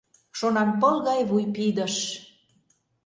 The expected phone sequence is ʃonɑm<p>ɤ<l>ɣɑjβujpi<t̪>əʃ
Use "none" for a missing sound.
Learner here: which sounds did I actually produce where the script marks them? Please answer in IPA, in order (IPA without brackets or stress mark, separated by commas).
p, l, d̪